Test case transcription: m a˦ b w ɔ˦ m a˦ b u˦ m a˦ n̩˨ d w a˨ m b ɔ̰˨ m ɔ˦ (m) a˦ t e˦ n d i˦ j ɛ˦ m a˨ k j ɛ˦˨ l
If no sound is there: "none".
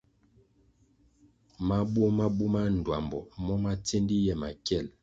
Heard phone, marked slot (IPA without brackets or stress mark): m